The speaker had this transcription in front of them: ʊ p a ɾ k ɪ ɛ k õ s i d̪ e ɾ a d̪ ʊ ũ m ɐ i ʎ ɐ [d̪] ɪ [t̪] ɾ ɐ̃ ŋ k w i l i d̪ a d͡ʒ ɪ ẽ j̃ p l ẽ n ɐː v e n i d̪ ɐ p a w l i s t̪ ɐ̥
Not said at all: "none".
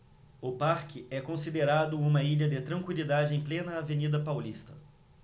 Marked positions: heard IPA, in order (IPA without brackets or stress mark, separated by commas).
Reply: d̪, t̪